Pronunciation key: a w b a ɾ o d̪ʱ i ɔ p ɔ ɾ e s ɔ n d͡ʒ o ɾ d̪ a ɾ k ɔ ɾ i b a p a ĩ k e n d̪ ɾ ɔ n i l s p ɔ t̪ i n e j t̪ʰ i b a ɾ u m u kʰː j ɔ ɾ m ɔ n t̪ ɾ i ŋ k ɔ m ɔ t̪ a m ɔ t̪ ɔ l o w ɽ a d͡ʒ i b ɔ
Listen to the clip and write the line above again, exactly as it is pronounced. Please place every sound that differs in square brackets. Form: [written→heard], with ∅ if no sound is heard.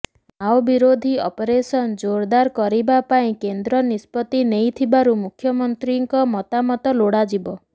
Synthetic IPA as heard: a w b [a→i] ɾ o d̪ʱ i ɔ p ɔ ɾ e s ɔ n d͡ʒ o ɾ d̪ a ɾ k ɔ ɾ i b a p a ĩ k e n d̪ ɾ ɔ n i [l→∅] s p ɔ t̪ i n e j t̪ʰ i b a ɾ u m u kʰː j ɔ [ɾ→∅] m ɔ n t̪ ɾ i ŋ k ɔ m ɔ t̪ a m ɔ t̪ ɔ l o [w→∅] ɽ a d͡ʒ i b ɔ